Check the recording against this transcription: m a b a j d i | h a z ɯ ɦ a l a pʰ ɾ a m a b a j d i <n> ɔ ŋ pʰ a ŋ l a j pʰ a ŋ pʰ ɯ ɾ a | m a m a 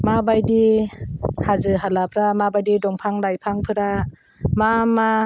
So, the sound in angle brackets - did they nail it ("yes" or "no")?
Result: no